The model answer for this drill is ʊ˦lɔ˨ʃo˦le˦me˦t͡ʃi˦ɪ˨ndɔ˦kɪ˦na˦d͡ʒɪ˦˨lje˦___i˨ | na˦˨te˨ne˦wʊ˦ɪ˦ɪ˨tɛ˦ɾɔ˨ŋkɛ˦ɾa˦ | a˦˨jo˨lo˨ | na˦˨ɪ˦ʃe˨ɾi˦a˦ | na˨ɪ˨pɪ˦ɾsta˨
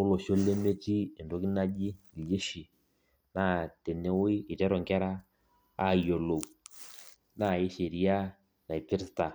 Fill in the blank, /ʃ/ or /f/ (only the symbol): ʃ